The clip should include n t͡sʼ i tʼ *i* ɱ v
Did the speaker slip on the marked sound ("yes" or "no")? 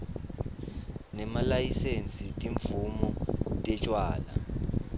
no